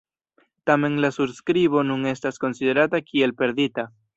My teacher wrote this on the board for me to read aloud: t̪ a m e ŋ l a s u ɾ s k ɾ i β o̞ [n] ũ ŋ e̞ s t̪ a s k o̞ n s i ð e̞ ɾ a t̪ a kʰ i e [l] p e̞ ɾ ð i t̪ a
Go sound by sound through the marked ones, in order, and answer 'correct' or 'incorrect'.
correct, correct

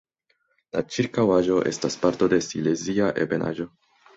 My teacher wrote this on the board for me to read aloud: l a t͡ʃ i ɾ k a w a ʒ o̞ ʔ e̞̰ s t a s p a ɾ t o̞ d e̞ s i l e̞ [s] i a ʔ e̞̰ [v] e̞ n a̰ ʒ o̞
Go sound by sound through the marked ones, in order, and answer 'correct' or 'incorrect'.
incorrect: z, incorrect: b

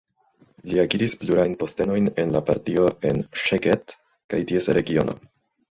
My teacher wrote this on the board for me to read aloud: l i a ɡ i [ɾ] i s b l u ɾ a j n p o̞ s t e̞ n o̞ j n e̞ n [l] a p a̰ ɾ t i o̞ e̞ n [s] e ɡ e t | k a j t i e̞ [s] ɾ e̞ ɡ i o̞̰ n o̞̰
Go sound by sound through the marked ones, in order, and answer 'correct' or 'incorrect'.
correct, correct, incorrect: ʃ, correct

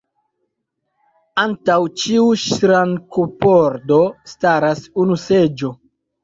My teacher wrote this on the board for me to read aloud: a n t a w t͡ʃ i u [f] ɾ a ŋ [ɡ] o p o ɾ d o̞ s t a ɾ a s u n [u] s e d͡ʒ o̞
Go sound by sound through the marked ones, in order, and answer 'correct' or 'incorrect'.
incorrect: ʃ, incorrect: k, correct

